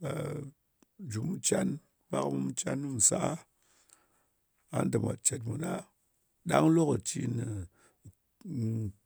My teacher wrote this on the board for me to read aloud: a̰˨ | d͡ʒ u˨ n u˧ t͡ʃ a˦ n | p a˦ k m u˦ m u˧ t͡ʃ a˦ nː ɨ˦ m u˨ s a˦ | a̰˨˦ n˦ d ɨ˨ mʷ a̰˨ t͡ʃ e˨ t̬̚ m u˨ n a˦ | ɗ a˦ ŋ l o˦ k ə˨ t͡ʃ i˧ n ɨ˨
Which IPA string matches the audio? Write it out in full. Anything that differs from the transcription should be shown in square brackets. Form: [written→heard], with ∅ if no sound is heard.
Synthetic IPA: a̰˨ | d͡ʒ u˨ [n→m] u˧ t͡ʃ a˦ n | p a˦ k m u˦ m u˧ t͡ʃ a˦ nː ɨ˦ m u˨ s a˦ | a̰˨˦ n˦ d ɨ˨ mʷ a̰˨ t͡ʃ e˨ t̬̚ m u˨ n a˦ | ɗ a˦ ŋ l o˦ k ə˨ t͡ʃ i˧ n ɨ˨